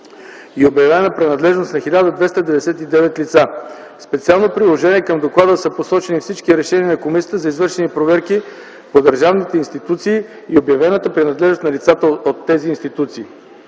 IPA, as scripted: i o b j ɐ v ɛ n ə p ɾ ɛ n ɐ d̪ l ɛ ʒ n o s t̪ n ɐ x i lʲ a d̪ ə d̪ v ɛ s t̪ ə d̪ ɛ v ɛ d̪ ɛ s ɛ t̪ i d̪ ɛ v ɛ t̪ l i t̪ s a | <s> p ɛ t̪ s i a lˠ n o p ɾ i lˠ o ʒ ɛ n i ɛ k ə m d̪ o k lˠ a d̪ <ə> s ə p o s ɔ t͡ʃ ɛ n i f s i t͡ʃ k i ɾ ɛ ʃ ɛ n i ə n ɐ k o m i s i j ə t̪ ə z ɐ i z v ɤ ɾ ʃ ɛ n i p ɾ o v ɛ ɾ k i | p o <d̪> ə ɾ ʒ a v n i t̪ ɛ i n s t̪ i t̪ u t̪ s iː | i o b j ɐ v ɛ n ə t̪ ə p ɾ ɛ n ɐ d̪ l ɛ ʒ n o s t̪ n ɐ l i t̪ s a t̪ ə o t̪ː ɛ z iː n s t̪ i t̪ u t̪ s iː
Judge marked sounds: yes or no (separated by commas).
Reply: yes, yes, yes